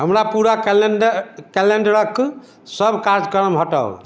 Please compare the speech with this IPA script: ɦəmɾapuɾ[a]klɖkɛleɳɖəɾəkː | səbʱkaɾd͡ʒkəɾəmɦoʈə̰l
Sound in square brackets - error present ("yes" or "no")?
no